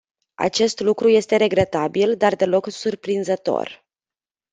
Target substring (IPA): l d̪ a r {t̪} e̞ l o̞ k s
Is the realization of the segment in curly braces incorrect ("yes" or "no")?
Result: yes